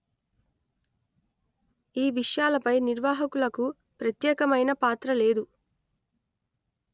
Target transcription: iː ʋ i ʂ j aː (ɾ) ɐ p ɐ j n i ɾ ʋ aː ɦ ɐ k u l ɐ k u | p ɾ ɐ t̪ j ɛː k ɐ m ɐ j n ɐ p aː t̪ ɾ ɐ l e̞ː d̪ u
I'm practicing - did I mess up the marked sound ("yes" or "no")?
yes